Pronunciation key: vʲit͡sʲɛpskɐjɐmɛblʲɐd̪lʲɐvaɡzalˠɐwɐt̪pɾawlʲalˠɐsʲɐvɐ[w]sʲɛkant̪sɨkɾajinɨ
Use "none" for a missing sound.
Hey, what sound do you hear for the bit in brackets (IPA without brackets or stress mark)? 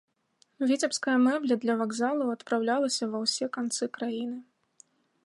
w